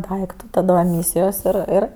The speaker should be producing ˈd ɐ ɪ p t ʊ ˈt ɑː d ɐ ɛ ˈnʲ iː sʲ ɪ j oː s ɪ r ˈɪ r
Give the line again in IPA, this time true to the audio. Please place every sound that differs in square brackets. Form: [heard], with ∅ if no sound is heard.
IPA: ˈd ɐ ɪ [k] t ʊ ˈt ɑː d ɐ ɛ [ˈmʲ] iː sʲ ɪ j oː s ɪ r ˈɪ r